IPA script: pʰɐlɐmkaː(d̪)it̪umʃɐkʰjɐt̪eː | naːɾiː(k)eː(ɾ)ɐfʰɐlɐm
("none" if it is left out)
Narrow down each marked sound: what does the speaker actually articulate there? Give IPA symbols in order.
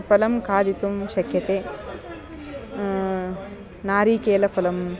d̪, k, l

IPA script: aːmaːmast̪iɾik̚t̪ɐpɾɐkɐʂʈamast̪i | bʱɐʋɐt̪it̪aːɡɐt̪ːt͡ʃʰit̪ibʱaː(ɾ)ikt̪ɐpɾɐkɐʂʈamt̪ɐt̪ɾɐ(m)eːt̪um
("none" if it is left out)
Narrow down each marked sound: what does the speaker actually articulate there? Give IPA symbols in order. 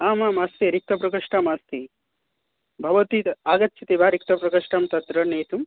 ɾ, n

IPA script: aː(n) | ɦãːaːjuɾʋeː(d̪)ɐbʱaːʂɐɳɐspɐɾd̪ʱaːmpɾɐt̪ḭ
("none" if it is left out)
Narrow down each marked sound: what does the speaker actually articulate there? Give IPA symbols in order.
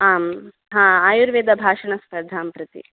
m, d̪

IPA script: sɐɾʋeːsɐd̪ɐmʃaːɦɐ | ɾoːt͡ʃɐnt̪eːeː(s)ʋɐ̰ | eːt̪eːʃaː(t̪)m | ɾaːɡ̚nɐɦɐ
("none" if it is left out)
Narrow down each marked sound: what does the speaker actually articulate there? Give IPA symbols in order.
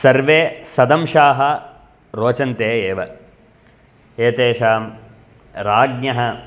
none, none

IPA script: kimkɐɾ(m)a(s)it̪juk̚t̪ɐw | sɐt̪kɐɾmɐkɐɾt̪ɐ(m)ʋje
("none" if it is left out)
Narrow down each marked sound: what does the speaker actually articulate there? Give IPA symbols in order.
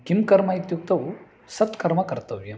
m, none, none

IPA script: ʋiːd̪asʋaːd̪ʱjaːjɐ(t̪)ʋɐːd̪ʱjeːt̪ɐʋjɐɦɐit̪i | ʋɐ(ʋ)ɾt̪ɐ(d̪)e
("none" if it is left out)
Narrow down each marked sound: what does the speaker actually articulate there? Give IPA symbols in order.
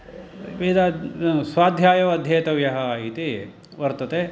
none, none, t̪

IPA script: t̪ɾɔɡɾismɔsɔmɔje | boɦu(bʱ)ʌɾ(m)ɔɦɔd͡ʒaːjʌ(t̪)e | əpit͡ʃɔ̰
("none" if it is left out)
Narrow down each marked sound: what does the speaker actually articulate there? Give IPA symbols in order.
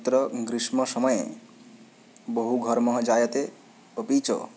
ɡʱ, m, t̪

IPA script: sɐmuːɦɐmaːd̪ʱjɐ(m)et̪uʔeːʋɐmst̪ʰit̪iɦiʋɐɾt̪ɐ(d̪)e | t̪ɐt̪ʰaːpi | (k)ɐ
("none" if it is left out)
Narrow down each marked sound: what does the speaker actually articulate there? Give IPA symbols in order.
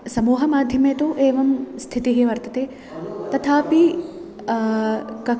m, t̪, k

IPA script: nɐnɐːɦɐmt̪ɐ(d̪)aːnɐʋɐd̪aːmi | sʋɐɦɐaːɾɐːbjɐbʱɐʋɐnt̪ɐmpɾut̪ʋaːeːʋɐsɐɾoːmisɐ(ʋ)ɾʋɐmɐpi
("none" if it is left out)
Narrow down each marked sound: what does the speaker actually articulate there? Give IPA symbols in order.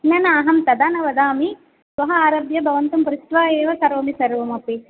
d̪, none

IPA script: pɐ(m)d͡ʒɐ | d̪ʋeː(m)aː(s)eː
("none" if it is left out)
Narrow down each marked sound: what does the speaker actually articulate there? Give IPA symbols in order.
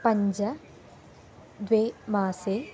ɲ, m, s

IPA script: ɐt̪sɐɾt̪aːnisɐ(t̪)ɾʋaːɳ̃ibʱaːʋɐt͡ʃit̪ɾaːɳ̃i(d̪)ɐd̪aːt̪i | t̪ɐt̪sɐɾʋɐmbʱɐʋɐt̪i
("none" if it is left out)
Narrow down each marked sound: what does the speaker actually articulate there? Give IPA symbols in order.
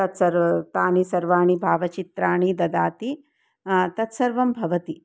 none, d̪

